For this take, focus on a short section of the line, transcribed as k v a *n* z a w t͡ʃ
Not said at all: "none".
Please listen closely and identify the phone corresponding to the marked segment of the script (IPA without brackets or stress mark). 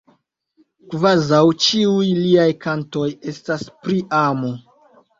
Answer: none